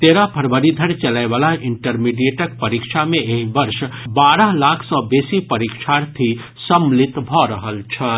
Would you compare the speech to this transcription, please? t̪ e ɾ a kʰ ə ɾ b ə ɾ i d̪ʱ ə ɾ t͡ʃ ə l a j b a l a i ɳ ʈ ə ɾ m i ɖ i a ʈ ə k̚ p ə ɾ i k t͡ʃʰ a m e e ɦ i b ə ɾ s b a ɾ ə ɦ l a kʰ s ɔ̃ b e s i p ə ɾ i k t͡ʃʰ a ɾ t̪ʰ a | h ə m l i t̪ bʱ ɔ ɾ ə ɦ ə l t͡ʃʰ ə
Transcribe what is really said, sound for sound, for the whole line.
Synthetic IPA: t̪ e ɾ a pʰ ə ɾ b ə ɾ i d̪ʱ ə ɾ t͡ʃ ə l a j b a l a i ɳ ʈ ə ɾ m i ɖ i e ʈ ə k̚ p ə ɾ i k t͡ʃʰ a m e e ɦ i b ə ɾ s b a ɾ ə ɦ l a kʰ s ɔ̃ b e s i p ə ɾ i k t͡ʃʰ a ɾ t̪ʰ i | s ə m l i t̪ bʱ ɔ ɾ ə ɦ ə l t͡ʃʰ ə